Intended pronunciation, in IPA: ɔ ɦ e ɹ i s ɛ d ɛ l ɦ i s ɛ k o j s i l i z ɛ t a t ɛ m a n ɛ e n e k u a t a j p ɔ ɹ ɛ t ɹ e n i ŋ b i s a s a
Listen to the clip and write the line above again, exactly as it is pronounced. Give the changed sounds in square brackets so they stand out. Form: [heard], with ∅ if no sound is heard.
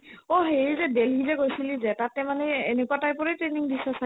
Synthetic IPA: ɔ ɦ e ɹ i [z] ɛ d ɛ l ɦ i [z] ɛ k o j s i l i z ɛ t a t ɛ m a n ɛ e n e k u a t a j p ɔ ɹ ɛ t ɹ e n i ŋ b i s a s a